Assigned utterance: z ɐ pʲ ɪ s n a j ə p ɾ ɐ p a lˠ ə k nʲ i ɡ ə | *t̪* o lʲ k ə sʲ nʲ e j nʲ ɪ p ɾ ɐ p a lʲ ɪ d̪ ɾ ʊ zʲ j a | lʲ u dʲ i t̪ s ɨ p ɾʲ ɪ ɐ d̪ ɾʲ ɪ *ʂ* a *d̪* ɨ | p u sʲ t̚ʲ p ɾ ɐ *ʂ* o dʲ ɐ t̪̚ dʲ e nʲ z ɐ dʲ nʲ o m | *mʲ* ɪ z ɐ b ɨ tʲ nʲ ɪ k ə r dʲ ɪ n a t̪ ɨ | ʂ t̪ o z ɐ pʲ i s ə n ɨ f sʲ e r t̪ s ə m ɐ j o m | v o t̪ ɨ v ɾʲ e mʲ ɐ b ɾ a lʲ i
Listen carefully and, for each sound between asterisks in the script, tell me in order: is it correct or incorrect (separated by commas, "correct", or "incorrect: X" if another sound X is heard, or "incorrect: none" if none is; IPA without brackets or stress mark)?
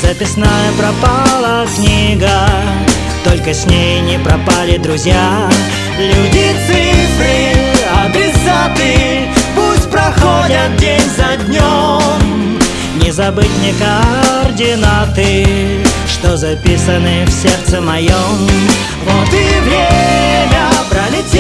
correct, incorrect: s, incorrect: t̪, incorrect: x, incorrect: nʲ